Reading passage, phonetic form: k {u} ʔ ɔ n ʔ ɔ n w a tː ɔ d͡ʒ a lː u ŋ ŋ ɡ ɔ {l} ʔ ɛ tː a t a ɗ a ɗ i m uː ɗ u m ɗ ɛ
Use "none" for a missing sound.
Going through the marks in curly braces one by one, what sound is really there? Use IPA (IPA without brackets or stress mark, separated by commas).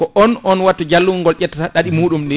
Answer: ɔ, l